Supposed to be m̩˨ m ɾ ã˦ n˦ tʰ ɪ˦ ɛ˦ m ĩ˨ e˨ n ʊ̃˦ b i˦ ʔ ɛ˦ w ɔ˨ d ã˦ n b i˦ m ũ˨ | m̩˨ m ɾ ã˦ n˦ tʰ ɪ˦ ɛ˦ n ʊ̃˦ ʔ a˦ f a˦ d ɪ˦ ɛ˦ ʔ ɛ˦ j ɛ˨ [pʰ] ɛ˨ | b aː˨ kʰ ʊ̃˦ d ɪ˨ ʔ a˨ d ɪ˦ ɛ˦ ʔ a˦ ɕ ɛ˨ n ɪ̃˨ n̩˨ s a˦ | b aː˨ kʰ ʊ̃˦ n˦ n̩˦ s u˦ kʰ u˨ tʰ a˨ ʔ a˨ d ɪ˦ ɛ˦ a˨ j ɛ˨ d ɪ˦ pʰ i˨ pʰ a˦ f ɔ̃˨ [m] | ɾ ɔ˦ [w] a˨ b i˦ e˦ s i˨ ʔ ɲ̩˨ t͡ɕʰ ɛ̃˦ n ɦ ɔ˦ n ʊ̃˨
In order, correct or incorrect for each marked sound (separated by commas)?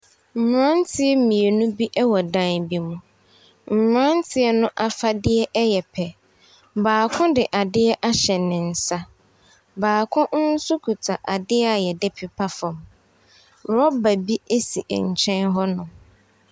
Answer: correct, correct, incorrect